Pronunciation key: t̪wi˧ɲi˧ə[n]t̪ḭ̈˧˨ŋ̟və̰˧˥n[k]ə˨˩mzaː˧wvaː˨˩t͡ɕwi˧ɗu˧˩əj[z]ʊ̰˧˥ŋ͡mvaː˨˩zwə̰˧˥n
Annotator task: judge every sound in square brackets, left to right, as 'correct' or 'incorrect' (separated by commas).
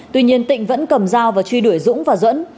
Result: correct, correct, correct